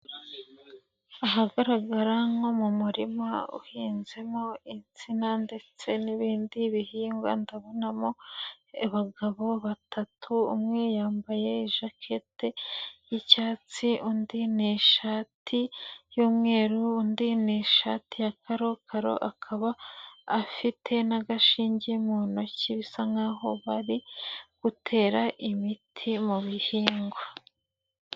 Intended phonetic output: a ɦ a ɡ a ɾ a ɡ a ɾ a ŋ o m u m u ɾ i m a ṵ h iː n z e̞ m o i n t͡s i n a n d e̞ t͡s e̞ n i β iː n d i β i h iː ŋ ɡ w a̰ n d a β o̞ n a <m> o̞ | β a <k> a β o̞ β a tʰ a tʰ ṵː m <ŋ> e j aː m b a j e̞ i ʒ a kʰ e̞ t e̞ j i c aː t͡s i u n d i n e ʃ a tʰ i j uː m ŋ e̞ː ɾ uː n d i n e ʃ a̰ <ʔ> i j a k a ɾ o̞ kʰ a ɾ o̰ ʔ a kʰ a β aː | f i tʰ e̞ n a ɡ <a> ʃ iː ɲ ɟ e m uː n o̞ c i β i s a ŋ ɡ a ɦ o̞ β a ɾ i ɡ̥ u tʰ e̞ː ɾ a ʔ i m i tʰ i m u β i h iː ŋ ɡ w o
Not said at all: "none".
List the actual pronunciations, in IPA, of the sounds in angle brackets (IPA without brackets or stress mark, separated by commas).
m, ɡ, ŋ, t, a